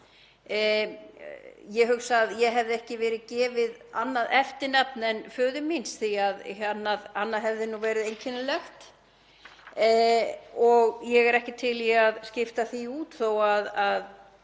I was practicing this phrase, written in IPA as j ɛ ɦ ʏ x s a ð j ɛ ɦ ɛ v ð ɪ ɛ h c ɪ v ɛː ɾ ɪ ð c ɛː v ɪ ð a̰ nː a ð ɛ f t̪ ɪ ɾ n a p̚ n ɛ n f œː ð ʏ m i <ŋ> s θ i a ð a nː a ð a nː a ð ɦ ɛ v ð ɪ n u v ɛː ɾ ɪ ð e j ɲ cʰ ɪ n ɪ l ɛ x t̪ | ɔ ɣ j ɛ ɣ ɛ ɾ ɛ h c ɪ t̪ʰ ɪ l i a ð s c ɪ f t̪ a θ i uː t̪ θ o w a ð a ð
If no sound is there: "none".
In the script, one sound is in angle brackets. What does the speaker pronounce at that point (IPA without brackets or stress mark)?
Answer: n